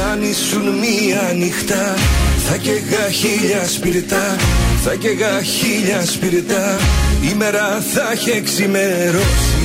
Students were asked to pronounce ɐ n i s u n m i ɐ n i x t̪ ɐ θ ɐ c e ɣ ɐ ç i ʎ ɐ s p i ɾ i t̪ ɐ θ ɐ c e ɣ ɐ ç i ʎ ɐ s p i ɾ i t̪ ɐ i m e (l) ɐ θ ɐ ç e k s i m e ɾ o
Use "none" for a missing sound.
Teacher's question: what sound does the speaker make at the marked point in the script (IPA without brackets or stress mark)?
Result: ɾ